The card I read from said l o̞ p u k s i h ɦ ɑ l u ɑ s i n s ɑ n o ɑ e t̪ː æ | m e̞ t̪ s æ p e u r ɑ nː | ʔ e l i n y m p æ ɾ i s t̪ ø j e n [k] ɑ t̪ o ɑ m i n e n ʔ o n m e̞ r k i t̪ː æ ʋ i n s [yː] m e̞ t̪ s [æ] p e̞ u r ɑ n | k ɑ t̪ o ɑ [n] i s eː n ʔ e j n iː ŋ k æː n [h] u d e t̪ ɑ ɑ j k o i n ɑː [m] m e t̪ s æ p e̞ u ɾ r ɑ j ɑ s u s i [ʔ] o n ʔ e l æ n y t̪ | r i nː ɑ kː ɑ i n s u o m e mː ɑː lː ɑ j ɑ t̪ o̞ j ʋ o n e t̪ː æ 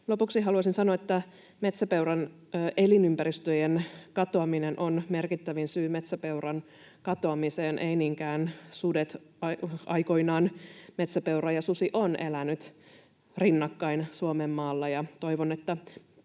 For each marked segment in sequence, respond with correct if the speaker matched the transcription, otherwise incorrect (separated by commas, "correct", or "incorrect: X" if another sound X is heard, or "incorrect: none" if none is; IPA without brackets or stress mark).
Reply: correct, correct, correct, incorrect: m, incorrect: s, incorrect: n, correct